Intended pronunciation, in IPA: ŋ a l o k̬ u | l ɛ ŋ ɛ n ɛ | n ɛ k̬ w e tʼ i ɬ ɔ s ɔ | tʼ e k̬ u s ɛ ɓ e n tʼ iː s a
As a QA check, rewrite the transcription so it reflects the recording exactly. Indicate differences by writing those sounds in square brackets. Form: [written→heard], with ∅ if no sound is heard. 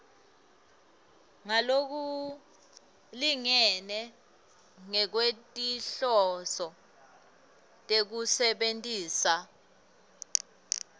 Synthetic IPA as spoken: ŋ a l o k̬ u | l [ɛ→i] ŋ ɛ n ɛ | [n→ŋ] ɛ k̬ w e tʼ i ɬ ɔ s ɔ | tʼ e k̬ u s ɛ ɓ e n tʼ iː s a